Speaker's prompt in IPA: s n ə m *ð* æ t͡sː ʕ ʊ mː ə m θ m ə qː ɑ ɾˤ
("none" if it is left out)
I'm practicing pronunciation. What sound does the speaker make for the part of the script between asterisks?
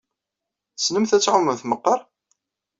θ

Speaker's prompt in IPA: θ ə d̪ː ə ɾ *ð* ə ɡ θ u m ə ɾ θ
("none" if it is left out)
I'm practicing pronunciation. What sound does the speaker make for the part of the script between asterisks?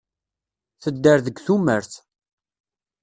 ð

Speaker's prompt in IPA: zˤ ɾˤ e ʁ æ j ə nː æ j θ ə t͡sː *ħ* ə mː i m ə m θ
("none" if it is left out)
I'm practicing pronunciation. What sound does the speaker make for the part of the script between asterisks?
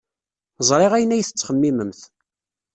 χ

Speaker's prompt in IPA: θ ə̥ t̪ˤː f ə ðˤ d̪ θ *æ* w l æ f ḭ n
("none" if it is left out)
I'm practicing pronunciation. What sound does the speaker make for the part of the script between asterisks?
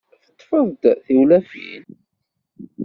i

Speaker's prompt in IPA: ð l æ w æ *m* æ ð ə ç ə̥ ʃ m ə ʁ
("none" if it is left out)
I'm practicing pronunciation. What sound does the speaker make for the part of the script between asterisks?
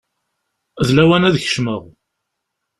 n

